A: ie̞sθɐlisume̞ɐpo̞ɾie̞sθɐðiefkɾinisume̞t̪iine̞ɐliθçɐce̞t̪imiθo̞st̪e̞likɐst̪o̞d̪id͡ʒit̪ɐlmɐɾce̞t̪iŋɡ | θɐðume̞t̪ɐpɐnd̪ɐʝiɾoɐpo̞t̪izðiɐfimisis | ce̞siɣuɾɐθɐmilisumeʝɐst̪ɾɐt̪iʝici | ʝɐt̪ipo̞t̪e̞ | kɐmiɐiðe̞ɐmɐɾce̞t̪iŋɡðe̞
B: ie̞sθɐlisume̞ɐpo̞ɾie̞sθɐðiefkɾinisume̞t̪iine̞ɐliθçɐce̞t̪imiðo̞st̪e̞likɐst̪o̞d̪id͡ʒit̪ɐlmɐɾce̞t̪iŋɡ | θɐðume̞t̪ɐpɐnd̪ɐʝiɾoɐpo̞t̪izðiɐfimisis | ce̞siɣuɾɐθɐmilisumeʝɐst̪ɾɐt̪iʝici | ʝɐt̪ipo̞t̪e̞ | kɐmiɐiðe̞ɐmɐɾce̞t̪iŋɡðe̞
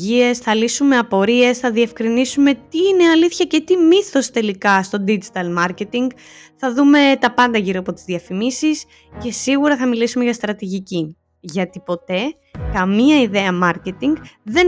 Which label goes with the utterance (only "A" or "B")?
A